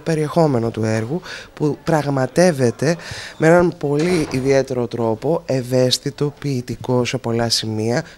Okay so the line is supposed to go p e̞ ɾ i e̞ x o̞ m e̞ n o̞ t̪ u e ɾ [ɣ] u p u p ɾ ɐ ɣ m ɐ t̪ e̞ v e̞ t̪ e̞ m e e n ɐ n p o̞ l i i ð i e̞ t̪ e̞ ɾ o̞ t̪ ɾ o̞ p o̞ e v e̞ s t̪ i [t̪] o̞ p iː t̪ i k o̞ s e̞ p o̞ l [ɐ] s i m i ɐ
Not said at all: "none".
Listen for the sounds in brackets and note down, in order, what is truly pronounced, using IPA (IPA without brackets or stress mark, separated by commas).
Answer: ɣ, t̪, ɐ